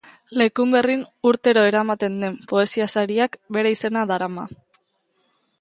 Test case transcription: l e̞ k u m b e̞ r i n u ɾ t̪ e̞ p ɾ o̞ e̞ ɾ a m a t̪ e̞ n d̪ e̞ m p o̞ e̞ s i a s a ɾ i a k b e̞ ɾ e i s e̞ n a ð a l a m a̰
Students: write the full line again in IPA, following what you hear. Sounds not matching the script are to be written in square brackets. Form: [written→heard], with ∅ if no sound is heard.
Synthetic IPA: l e̞ k u m b e̞ r i n u ɾ t̪ e̞ [p→∅] ɾ o̞ e̞ ɾ a m a t̪ e̞ n d̪ e̞ m p o̞ e̞ s i a s a ɾ i a k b e̞ ɾ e i s e̞ n a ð a [l→ɾ] a m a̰